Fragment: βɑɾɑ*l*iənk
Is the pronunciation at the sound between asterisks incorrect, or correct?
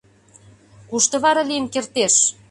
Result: correct